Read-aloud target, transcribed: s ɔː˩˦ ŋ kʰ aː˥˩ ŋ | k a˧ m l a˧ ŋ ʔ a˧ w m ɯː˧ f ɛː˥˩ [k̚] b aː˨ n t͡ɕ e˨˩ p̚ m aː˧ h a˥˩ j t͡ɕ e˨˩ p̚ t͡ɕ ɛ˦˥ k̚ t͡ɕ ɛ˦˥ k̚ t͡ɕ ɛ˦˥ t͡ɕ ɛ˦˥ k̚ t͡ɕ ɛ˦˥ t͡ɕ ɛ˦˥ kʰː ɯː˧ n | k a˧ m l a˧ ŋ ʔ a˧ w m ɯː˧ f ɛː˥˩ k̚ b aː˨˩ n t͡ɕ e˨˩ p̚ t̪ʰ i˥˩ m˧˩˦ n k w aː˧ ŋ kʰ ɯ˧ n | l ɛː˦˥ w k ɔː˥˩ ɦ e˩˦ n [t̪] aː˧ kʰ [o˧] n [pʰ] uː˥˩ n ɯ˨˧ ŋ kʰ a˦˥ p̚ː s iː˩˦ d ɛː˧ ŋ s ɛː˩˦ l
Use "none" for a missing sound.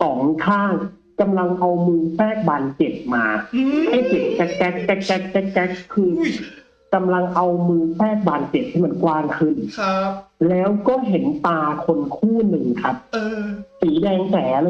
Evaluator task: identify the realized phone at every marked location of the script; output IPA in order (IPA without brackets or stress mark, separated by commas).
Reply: k̚, t̪, o˧, kʰ